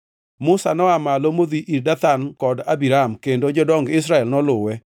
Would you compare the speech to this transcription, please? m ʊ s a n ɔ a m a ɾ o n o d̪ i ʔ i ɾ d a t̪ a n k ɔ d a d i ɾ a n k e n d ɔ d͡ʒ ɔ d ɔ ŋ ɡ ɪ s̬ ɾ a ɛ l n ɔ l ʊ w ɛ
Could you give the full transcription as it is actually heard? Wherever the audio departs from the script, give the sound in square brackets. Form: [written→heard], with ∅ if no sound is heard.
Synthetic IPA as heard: m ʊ s a n ɔ a m a [ɾ→l] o [n→m] o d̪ i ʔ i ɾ d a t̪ a n k ɔ d a [d→b] i ɾ a [n→m] k e n d [ɔ→o] d͡ʒ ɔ d ɔ ŋ ɡ ɪ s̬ ɾ a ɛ l n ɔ l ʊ w ɛ